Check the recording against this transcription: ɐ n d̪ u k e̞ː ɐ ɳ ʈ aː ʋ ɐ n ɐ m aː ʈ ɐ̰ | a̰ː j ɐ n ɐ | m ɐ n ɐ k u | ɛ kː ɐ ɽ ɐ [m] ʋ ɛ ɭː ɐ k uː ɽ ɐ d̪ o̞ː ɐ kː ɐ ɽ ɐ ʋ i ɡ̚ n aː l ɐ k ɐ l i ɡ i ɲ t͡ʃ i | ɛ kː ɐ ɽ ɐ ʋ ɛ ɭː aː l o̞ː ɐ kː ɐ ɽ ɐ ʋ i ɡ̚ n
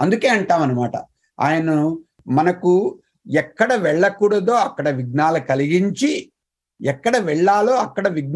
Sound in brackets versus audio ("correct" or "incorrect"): incorrect